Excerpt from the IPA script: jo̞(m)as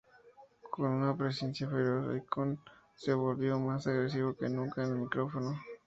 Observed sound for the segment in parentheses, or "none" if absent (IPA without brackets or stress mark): m